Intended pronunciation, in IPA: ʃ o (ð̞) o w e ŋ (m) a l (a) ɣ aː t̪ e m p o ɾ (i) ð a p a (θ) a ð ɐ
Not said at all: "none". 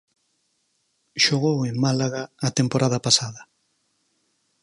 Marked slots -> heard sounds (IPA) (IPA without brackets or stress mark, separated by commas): ɣ̞, m, a, a, s